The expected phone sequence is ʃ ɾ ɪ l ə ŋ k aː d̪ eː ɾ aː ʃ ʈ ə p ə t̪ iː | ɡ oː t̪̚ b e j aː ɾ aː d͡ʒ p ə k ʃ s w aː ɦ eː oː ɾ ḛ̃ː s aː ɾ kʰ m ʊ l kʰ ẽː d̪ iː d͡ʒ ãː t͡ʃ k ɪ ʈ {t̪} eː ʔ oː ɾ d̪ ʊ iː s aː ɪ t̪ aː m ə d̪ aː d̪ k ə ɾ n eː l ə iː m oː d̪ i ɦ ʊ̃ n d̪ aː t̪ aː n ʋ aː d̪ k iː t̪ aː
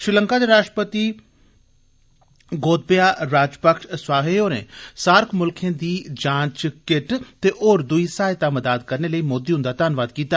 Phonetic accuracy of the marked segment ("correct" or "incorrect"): correct